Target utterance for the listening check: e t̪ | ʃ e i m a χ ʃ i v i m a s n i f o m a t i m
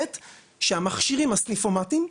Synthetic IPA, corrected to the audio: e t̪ | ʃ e a m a χ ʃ i ʁ i m a s n i f o m a t i m